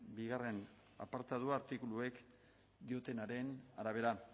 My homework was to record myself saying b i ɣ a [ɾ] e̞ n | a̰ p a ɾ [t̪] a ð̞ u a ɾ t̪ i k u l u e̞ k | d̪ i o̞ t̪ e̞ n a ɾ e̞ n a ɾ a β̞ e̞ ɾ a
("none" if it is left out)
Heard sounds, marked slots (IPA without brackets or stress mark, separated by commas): r, t̪